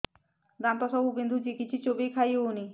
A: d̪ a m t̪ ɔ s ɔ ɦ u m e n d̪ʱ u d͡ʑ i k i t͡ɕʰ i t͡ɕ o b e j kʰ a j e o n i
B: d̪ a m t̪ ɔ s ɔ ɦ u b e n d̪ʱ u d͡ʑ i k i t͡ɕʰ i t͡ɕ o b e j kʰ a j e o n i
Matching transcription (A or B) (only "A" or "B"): B